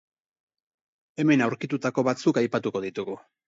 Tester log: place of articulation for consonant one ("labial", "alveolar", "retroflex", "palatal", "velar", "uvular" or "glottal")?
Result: labial